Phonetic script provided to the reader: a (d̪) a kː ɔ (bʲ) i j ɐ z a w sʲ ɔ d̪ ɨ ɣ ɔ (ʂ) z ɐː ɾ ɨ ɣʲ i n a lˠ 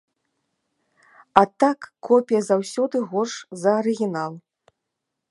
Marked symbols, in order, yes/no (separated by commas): no, no, yes